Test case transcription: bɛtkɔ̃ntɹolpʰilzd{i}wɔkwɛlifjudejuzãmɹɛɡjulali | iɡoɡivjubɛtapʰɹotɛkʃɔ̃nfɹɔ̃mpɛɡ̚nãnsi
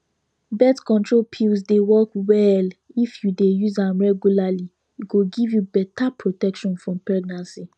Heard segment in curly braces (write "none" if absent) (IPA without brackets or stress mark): e